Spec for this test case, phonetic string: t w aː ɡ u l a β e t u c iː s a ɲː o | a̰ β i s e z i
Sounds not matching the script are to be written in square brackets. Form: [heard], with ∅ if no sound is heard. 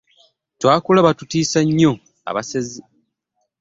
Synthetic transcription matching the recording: t w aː [k] u l a β [a] t u [t] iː s a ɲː o | a̰ β [a] s e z i